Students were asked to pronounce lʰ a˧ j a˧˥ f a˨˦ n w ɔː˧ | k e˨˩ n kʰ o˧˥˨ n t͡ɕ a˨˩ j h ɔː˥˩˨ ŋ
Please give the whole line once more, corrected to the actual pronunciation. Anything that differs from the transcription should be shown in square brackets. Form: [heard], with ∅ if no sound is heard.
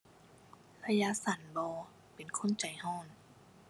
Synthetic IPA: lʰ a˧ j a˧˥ [s] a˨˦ n [b] ɔː˧ | [p] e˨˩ n kʰ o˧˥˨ n t͡ɕ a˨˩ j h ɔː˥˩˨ [n]

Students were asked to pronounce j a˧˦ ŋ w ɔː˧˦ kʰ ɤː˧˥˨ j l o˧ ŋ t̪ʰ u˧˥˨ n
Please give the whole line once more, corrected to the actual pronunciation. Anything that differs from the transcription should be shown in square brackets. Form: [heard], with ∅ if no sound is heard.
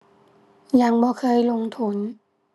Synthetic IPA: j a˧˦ ŋ [b] ɔː˧˦ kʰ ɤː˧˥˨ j l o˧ ŋ t̪ʰ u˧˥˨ n

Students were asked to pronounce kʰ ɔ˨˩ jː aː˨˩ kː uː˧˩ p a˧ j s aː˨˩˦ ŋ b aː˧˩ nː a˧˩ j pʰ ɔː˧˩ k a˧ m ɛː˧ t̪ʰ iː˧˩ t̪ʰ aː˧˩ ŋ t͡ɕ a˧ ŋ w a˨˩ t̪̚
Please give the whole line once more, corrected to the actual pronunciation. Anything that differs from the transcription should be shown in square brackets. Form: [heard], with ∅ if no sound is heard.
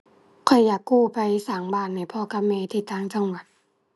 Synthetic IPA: kʰ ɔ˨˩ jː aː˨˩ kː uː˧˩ p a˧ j s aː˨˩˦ ŋ b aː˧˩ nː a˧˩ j pʰ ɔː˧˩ k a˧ m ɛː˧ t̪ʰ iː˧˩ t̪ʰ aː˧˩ ŋ t͡ɕ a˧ ŋ w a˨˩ t̪̚

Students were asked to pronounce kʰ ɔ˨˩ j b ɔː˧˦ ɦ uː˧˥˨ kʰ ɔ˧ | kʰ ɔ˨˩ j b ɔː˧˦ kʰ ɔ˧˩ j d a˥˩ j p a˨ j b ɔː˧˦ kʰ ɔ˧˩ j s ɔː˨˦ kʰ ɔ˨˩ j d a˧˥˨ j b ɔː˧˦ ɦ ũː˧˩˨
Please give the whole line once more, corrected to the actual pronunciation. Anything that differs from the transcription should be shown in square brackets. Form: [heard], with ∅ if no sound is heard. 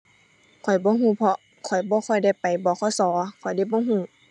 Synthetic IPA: kʰ ɔ˨˩ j b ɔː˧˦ ɦ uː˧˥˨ [pʰ] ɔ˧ | kʰ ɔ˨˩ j b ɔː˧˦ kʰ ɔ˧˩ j d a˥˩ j p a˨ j b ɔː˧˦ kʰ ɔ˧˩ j s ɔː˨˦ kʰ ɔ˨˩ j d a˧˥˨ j b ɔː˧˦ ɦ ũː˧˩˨

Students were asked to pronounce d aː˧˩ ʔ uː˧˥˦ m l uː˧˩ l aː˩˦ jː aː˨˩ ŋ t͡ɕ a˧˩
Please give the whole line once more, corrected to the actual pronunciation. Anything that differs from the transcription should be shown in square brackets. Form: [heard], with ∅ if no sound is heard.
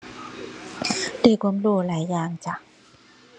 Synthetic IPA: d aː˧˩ [k] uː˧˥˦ m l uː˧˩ l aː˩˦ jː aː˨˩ ŋ t͡ɕ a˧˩

